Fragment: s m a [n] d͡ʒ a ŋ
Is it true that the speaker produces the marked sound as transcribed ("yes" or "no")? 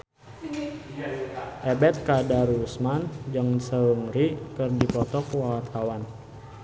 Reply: yes